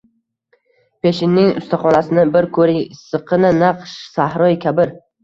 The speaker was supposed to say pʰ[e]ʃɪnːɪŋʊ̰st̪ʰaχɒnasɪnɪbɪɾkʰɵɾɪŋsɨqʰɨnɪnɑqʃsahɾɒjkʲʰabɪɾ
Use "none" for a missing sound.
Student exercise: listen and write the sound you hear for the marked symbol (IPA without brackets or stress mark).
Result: e